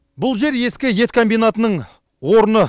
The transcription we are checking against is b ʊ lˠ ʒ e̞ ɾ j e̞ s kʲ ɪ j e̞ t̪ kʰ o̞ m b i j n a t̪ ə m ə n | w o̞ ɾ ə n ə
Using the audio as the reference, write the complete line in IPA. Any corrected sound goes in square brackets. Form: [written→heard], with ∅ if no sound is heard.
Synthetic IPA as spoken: b ʊ lˠ ʒ e̞ ɾ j e̞ s kʲ ɪ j e̞ t̪ kʰ o̞ m b i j n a t̪ ə [m→n] ə [n→ɴ] | w o̞ ɾ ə n ə

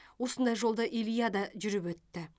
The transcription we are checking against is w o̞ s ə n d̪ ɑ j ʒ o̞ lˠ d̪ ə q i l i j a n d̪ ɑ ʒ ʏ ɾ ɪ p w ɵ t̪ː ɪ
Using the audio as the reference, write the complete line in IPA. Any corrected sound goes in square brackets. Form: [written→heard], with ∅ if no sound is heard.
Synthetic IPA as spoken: w o̞ s ə n d̪ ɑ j ʒ o̞ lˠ d̪ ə [q→ʔ] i l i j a [n→∅] d̪ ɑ ʒ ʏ ɾ ɪ p w ɵ t̪ː ɪ

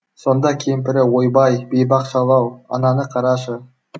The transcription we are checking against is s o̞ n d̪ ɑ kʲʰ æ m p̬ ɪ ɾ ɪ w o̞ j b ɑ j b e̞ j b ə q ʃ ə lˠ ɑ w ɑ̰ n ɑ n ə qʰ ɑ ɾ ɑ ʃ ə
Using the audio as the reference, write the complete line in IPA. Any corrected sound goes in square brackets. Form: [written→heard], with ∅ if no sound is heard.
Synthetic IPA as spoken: s o̞ n d̪ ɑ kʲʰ [æ→e] m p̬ ɪ ɾ ɪ w o̞ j b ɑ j b e̞ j b [ə→ɑ] q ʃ [ə→ɑ] lˠ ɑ w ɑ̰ n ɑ n ə qʰ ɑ ɾ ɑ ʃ ə

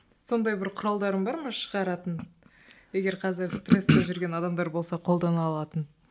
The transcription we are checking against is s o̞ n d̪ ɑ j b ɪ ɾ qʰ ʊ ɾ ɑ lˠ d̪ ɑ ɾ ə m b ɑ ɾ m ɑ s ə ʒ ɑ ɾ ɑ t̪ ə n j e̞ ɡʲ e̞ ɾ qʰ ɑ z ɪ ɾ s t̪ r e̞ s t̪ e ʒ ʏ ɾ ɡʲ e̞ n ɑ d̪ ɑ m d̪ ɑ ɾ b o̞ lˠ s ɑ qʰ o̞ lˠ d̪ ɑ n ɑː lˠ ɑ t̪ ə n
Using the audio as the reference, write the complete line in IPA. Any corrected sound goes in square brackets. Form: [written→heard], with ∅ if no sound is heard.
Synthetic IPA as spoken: s o̞ n d̪ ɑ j b ɪ ɾ qʰ ʊ ɾ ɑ lˠ d̪ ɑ ɾ ə m b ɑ ɾ m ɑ [s→ʃ] ə [ʒ→ʁ] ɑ ɾ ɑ t̪ ə n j e̞ ɡʲ e̞ ɾ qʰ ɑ z ɪ ɾ s t̪ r e̞ s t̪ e ʒ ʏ ɾ ɡʲ e̞ n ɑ d̪ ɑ m d̪ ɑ ɾ b o̞ lˠ s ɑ qʰ o̞ lˠ d̪ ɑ n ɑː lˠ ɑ t̪ ə n

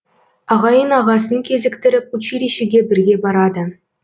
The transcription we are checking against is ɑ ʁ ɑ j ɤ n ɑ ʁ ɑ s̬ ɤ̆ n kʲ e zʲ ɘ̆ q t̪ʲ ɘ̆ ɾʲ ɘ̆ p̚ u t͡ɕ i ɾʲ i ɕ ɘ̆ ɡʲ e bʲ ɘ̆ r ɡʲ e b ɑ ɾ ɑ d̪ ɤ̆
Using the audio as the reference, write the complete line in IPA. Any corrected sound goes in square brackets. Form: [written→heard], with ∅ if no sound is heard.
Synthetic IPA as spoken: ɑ ʁ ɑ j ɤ n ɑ ʁ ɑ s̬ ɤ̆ n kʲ e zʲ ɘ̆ [q→k] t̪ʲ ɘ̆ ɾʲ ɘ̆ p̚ u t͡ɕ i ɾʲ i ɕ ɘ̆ ɡʲ e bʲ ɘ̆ r ɡʲ e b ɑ ɾ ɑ d̪ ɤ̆

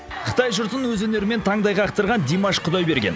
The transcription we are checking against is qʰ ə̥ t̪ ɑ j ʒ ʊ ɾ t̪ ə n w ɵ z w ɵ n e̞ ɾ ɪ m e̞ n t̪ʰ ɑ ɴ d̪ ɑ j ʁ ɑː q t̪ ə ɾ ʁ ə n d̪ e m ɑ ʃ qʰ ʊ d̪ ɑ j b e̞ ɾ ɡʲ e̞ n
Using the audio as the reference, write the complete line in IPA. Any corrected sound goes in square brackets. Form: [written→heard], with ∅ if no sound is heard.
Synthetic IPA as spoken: qʰ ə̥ t̪ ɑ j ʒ ʊ ɾ t̪ ə n w ɵ z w ɵ n e̞ ɾ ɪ m e̞ n t̪ʰ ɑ ɴ d̪ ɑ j ʁ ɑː q t̪ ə ɾ ʁ [ə→ɑ] n d̪ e m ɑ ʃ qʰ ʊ d̪ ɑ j b e̞ ɾ ɡʲ e̞ n

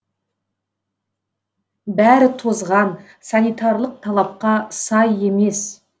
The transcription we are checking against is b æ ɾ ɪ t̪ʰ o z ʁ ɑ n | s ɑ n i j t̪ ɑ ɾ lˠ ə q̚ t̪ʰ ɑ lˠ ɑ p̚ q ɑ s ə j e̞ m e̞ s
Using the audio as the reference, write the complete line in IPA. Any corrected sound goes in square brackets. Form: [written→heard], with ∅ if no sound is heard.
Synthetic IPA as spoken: b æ ɾ ɪ t̪ʰ o z ʁ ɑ n | s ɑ n i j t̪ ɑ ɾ lˠ ə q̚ t̪ʰ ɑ lˠ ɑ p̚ q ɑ s [ə→ɑ] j e̞ m e̞ s

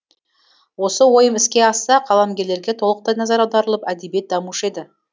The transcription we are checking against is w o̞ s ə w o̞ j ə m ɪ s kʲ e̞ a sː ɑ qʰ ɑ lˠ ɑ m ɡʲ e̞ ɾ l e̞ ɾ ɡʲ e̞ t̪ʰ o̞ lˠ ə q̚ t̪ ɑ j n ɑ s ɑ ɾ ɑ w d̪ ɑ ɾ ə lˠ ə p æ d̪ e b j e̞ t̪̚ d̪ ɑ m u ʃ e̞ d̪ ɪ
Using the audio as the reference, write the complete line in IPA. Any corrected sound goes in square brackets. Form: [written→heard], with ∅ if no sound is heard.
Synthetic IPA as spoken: w o̞ s ə w o̞ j ə m ɪ s kʲ e̞ [a→ɑ] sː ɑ qʰ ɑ lˠ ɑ m ɡʲ e̞ ɾ l e̞ ɾ ɡʲ e̞ t̪ʰ o̞ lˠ ə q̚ t̪ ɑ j n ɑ [s→z] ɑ ɾ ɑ w d̪ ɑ ɾ ə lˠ ə p æ d̪ e b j e̞ t̪̚ d̪ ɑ m u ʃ e̞ d̪ ɪ

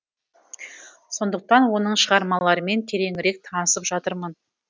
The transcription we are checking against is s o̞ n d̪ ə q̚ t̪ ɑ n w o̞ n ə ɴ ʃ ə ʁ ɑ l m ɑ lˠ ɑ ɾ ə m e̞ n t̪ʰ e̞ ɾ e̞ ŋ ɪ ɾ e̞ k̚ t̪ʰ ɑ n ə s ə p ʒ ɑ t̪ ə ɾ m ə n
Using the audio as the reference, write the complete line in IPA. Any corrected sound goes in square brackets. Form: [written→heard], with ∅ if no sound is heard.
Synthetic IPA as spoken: s o̞ n d̪ ə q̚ t̪ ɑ n w o̞ n ə ɴ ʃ ə ʁ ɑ [l→ɾ] m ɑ lˠ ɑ ɾ ə m e̞ n t̪ʰ e̞ ɾ e̞ ŋ ɪ ɾ e̞ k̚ t̪ʰ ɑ n ə s ə p ʒ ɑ t̪ ə ɾ m ə n

